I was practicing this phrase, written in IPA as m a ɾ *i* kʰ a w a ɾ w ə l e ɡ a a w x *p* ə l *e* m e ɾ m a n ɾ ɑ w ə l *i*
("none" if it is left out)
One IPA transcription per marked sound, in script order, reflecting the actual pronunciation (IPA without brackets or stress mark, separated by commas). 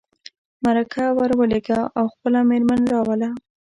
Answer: a, p, a, a